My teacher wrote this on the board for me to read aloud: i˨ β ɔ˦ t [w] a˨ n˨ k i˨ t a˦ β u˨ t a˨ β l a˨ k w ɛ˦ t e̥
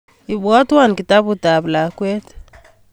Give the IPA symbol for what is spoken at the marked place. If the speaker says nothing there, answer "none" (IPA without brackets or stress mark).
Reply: w